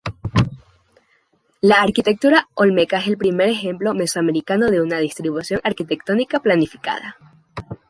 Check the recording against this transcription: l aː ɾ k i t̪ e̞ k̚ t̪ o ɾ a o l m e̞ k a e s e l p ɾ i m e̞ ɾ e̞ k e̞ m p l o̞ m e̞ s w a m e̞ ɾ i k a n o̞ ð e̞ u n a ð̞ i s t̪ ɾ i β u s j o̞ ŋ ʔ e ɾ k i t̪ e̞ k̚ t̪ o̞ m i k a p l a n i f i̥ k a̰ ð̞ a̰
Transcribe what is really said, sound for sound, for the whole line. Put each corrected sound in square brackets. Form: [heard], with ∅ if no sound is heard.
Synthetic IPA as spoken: l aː ɾ k i t̪ e̞ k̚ t̪ [u] ɾ a o l m e̞ k a e s e l p ɾ i m e̞ ɾ e̞ [x] e̞ m p l o̞ m e̞ s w a m e̞ ɾ i k a n o̞ ð e̞ u n a ð̞ i s t̪ ɾ i β u s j o̞ ŋ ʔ [a] ɾ k i t̪ e̞ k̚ t̪ o̞ [n] i k a p l a n i f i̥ k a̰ ð̞ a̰